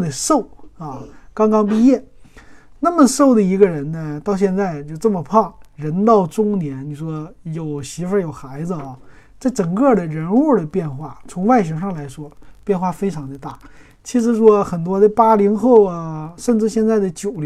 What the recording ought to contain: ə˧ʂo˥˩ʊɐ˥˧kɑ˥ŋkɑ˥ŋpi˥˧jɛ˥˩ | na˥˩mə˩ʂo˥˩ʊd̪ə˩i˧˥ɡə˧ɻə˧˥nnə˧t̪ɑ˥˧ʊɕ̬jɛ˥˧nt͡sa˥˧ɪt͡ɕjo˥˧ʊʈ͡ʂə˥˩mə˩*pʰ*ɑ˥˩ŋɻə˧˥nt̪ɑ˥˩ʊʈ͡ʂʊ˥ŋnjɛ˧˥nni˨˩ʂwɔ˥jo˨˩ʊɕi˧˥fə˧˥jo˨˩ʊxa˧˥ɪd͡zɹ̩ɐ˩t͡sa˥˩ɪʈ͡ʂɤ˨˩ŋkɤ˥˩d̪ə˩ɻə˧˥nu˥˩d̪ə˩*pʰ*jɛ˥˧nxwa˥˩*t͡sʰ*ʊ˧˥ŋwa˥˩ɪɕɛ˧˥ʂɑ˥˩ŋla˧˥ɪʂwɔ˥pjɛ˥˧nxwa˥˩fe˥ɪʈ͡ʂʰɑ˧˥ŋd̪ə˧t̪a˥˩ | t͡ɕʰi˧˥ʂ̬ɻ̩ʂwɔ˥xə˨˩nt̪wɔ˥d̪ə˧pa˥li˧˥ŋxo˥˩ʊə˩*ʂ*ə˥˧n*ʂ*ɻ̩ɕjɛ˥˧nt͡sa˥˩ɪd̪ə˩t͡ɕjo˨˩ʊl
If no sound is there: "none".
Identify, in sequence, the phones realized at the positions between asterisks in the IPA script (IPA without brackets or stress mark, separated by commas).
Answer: pʰ, p, t͡sʰ, ʂ, ʈ͡ʂ